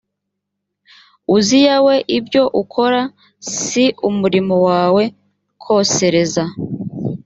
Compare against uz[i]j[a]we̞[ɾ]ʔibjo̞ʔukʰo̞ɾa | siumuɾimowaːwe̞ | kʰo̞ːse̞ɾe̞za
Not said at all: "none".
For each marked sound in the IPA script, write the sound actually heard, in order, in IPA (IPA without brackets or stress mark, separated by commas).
i, a, none